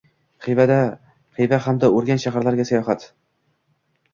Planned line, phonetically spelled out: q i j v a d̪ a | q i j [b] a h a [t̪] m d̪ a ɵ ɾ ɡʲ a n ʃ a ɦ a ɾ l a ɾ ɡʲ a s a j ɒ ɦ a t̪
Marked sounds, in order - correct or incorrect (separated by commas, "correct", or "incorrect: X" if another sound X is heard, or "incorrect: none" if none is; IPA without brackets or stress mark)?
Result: incorrect: v, incorrect: none